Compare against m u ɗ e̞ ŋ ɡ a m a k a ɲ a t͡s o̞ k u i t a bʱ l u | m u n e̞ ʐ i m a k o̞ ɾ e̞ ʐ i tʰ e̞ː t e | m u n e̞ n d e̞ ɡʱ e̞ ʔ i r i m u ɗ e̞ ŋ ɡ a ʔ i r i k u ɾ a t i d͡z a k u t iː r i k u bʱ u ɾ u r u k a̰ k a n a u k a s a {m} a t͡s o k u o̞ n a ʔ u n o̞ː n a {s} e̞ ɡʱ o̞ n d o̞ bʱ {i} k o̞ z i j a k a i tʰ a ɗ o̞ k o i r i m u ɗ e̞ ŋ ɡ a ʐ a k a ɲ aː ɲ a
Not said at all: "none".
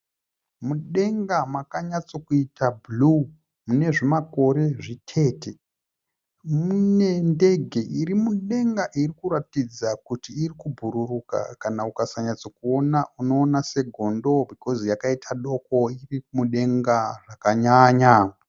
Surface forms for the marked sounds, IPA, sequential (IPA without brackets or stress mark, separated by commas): ɲ, s, i